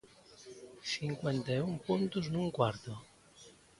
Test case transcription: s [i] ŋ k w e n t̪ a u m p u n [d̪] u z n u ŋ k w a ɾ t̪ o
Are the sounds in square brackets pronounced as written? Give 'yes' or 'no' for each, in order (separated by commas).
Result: yes, no